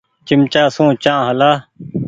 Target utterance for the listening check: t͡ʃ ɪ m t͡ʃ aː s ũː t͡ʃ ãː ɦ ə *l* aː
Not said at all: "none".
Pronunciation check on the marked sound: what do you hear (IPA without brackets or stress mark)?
l